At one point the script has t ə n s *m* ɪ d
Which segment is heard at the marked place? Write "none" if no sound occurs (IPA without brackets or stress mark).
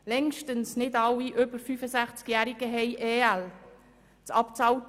n